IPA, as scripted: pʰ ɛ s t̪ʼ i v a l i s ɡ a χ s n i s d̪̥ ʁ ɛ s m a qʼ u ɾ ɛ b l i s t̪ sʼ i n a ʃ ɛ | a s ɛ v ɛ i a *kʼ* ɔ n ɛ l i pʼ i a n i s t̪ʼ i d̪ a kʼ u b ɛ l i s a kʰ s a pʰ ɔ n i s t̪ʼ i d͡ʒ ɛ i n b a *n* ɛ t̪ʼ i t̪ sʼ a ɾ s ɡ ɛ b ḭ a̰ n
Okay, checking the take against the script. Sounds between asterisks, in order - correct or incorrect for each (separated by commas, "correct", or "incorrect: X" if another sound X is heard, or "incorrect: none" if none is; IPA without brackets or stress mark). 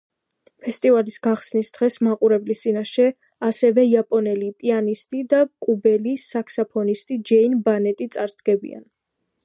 incorrect: pʼ, correct